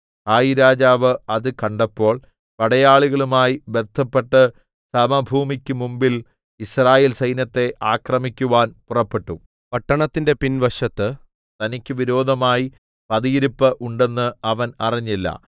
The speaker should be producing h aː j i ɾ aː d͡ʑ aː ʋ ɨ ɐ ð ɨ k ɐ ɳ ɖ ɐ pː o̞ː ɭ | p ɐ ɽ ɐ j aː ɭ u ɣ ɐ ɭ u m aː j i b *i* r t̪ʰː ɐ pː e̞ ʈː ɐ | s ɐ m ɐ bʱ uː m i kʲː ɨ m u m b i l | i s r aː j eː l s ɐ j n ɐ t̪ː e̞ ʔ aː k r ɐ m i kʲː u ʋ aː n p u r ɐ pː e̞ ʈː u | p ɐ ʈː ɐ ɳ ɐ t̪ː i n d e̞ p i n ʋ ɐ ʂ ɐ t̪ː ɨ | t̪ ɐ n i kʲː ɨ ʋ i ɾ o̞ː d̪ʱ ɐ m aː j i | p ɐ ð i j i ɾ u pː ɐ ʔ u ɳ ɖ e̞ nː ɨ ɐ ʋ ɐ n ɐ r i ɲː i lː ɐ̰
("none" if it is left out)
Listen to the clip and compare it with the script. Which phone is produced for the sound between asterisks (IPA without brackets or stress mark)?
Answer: e